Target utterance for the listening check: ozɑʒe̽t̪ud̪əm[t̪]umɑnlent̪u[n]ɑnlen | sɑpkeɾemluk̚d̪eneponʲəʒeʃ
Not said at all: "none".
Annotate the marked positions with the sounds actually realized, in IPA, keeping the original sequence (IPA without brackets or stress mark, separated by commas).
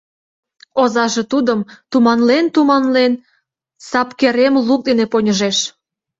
t̪, m